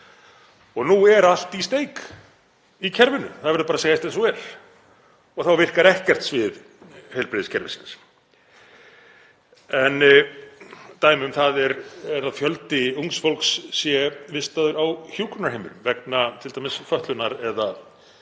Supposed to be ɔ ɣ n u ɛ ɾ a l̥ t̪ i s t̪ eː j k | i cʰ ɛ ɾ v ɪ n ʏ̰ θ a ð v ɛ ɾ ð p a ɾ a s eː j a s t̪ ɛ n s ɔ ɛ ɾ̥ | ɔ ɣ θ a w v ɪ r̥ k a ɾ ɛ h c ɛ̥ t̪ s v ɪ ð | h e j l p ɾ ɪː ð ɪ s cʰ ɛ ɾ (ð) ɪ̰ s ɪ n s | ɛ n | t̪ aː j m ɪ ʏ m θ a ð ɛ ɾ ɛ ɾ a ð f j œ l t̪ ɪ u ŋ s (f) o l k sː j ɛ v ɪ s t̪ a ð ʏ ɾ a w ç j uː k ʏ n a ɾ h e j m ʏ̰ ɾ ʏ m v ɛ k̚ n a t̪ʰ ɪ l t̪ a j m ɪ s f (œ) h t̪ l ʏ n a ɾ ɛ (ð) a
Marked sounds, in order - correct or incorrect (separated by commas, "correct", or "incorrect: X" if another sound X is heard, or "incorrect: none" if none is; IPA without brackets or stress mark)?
incorrect: v, correct, correct, correct